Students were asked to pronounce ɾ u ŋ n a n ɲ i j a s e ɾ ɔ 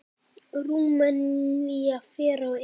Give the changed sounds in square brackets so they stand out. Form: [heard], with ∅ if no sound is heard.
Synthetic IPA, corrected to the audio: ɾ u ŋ [m] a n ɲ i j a [f] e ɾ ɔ